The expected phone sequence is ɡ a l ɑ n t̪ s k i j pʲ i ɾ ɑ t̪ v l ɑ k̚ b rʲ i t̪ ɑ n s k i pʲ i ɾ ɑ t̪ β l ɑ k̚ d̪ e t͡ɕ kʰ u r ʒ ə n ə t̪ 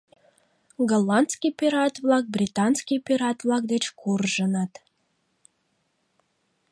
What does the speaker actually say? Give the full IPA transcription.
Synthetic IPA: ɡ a l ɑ n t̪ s k i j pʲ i ɾ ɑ t̪ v l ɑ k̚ b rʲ i t̪ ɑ n s k i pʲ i ɾ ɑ t̪ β l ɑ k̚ d̪ e t͡ɕ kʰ u r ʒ ə n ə t̪